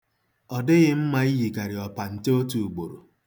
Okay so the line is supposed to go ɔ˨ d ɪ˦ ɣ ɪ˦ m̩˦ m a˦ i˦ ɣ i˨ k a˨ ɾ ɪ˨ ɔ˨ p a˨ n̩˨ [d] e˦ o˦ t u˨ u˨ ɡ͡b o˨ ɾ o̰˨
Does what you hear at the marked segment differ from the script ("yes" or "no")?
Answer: yes